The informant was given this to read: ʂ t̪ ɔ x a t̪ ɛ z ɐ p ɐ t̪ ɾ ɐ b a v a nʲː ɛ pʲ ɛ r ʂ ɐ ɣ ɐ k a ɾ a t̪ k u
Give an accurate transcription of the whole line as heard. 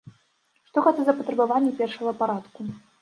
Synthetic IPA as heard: ʂ t̪ ɔ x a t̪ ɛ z ɐ p ɐ t̪ ɾ ɐ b a v a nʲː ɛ pʲ ɛ r ʂ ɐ ɣ ɐ p a ɾ a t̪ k u

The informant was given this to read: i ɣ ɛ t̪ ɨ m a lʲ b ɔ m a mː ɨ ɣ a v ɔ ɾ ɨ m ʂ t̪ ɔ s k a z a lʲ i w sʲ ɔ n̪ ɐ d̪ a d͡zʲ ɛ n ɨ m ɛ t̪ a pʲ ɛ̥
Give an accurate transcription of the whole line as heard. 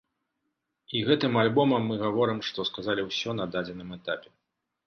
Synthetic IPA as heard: i ɣ ɛ t̪ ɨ m a lʲ b ɔ m ɐ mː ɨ ɣ a v ɔ ɾ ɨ m ʂ t̪ ɔ s k a z a lʲ i w sʲ ɔ n̪ ɐ d̪ a d͡zʲ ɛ n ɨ m ɛ t̪ a pʲ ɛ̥

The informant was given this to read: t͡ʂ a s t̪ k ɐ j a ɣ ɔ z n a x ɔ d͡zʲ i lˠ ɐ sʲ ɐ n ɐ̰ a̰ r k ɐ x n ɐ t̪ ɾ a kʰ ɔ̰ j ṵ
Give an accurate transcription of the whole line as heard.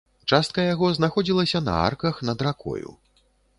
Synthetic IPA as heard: t͡ʂ a s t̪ k ɐ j a ɣ ɔ z n a x ɔ d͡zʲ i lˠ ɐ sʲ ɐ n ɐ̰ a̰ r k ɐ x n ɐ d̪ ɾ a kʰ ɔ̰ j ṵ

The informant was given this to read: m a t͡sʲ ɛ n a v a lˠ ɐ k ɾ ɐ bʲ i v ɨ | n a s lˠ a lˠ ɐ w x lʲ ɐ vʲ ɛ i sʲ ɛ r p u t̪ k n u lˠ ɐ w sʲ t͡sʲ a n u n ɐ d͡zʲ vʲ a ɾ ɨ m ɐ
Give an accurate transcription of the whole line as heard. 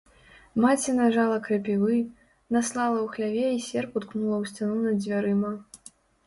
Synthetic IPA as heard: m a t͡sʲ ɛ n a ʐ a lˠ ɐ k ɾ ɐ pʲ i v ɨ | n a s lˠ a lˠ ɐ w x lʲ a vʲ ɛ i sʲ ɛ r p u t̪ k n u lˠ ɐ w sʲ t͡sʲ a n u n ɐ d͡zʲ vʲ a ɾ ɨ m ɐ

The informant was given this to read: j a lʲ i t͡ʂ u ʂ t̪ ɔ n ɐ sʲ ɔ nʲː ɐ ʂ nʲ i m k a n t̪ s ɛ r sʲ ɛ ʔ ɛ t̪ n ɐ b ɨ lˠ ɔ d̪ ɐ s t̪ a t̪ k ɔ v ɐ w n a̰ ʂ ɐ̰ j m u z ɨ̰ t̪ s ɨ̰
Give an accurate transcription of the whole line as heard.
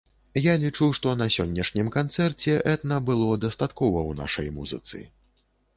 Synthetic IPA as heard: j a lʲ i t͡ʂ u ʂ t̪ ɔ n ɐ sʲ ɔ nʲː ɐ ʂ nʲ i m k a n t̪ s ɛ r t͡sʲ ɛ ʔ ɛ t̪ n ɐ b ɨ lˠ ɔ d̪ ɐ s t̪ a t̪ k ɔ v ɐ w n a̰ ʂ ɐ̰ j m u z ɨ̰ t̪ s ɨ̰

